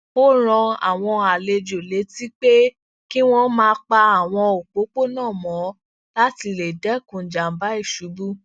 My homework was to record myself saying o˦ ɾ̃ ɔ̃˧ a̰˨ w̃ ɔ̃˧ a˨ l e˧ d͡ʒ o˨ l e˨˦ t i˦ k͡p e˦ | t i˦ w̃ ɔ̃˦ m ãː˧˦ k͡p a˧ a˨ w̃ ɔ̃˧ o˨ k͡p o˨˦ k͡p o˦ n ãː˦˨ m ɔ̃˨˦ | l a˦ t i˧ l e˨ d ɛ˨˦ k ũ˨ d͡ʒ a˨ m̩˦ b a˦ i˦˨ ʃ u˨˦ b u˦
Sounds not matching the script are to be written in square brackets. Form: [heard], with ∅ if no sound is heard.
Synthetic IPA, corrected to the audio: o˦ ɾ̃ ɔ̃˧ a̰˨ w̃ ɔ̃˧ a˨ l e˧ d͡ʒ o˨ l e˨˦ t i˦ k͡p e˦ | [k] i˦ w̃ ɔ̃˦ m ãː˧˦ k͡p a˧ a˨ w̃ ɔ̃˧ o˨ k͡p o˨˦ k͡p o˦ n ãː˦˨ m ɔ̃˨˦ | l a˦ t i˧ l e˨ d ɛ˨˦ k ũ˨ d͡ʒ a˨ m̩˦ b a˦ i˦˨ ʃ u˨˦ b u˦